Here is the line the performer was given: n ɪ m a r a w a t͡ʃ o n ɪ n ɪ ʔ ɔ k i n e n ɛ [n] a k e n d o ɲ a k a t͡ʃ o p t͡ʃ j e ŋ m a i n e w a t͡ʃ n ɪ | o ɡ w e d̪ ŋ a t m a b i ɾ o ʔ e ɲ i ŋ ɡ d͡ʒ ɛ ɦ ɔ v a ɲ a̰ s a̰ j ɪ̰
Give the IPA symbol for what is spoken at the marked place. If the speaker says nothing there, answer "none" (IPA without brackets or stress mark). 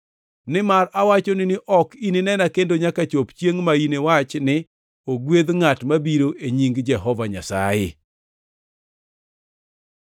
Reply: n